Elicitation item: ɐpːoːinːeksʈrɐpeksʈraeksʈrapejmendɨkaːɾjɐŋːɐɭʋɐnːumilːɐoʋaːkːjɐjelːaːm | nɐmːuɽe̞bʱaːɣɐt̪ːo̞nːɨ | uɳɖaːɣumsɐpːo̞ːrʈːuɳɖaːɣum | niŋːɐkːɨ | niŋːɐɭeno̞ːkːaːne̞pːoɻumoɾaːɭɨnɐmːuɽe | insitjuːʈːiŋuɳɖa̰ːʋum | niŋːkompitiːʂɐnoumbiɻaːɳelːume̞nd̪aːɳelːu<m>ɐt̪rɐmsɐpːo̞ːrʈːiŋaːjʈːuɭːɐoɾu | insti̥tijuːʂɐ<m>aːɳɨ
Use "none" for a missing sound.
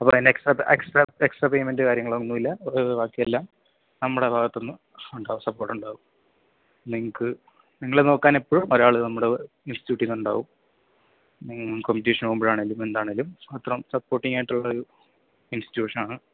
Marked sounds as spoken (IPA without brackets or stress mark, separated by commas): m, n